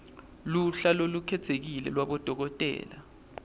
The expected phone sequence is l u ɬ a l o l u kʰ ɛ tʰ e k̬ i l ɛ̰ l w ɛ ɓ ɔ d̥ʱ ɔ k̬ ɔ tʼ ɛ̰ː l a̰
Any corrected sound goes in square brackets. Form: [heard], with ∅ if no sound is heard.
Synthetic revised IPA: l u ɬ a l o l u kʰ ɛ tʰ e k̬ i l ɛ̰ l w [a] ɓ ɔ d̥ʱ ɔ k̬ ɔ tʼ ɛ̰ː l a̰